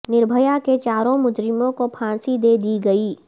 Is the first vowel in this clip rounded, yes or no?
no